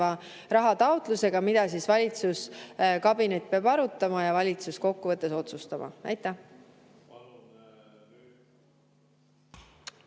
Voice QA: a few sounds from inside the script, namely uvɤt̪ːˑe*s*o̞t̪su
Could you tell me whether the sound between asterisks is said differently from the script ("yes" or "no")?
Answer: no